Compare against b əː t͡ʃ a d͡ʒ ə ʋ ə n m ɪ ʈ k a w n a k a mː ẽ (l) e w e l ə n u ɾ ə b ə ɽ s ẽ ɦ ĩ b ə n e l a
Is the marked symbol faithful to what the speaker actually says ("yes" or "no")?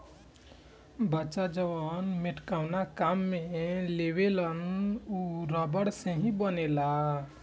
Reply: yes